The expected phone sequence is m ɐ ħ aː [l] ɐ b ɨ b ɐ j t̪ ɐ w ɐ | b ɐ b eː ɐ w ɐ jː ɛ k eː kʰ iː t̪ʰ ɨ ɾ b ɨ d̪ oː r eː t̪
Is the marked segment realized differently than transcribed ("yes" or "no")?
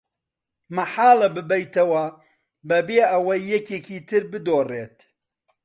no